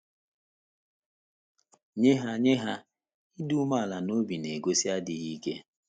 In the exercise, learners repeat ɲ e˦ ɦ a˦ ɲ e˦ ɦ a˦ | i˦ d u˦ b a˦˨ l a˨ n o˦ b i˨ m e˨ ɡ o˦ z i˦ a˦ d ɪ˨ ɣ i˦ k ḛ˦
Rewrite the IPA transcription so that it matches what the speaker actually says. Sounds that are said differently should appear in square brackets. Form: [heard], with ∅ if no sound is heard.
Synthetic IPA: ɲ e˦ ɦ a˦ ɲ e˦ ɦ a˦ | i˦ d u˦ [m] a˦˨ l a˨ n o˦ b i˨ [n] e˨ ɡ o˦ [s] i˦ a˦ d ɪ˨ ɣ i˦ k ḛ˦